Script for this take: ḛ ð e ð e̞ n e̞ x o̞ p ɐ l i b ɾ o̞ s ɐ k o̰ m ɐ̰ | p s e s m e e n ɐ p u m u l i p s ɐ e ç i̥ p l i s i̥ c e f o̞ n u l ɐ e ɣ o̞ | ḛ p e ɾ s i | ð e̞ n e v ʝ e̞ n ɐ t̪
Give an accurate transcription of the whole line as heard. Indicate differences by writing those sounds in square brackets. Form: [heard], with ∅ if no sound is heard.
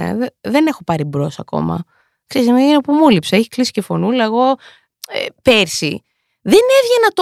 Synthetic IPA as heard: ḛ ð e ð e̞ n e̞ x o̞ p ɐ [ɾ] i b ɾ o̞ s ɐ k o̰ m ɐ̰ | [k] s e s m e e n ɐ p u m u l i p s ɐ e ç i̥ [k] l i s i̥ c e f o̞ n u l ɐ e ɣ o̞ | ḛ p e ɾ s i | ð e̞ n e v ʝ e̞ n ɐ t̪